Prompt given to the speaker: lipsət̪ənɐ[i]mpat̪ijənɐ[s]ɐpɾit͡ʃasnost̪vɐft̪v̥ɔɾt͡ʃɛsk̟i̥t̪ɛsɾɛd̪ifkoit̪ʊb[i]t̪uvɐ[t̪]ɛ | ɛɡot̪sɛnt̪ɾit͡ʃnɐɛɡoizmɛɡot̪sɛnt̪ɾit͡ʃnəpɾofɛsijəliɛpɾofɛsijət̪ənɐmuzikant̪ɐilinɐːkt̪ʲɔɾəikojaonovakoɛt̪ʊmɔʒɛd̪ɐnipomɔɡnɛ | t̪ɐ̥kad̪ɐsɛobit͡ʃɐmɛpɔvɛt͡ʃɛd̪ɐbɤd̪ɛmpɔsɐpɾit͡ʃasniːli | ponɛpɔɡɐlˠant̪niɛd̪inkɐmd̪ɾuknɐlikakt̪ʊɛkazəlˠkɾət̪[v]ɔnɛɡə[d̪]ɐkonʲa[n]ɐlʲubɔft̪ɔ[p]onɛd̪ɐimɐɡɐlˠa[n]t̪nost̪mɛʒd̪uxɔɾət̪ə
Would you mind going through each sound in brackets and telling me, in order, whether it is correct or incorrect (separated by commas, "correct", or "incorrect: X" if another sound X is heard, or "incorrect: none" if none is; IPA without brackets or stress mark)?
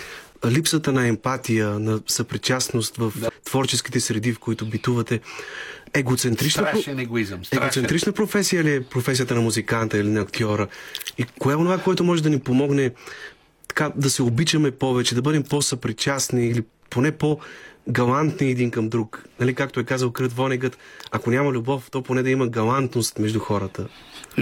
incorrect: ɛ, correct, correct, correct, correct, incorrect: t̪, incorrect: m, correct, correct